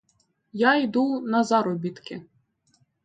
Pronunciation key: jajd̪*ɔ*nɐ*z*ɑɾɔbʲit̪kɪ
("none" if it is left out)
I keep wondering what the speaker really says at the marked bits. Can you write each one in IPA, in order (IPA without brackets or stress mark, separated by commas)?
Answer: u, z